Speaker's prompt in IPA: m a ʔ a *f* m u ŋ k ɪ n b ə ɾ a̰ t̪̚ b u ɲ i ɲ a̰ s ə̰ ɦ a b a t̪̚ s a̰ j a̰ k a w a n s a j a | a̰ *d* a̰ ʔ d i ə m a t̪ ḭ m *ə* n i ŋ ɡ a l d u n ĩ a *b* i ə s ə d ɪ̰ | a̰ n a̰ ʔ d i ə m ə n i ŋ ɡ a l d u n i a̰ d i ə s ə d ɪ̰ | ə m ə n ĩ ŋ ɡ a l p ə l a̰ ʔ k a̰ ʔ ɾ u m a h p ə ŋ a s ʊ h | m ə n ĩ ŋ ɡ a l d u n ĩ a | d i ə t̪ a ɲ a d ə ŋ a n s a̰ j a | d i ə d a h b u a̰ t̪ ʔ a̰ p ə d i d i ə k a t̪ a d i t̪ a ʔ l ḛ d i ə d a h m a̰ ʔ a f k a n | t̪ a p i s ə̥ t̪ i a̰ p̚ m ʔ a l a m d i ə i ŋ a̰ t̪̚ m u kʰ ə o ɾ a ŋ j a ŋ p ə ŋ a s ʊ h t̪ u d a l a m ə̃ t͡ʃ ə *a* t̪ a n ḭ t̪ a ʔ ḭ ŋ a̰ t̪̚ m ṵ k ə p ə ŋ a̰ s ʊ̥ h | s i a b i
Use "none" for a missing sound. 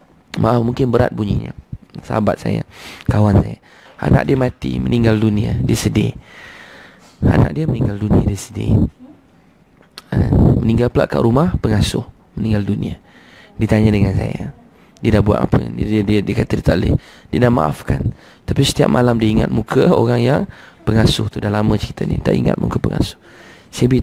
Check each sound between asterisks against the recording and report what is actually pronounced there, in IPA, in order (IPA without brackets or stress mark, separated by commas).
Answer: f, n, ə, d, i